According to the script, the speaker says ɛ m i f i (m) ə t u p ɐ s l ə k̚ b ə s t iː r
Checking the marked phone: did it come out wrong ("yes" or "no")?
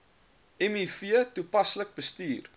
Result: yes